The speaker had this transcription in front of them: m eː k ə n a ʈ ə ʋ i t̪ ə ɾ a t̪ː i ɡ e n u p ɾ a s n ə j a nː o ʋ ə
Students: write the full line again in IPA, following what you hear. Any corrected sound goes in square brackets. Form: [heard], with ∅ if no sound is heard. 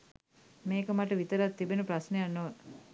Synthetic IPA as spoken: m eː k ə [m] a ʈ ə ʋ i t̪ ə ɾ a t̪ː i [b] e n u p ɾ a s n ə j a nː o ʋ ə